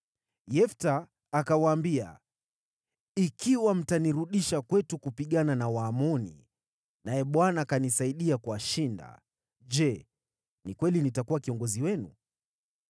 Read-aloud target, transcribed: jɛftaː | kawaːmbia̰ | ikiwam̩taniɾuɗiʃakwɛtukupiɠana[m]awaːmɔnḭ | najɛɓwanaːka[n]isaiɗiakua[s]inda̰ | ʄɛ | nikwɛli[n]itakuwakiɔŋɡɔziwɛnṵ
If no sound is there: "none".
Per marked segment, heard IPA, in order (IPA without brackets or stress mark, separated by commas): n, n, ʃ, n